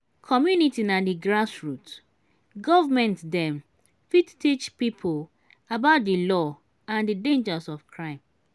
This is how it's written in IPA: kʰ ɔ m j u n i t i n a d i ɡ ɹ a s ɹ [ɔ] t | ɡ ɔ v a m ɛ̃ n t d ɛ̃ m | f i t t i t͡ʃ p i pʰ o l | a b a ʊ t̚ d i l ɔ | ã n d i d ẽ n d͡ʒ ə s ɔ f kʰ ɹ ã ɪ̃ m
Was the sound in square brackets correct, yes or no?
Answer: no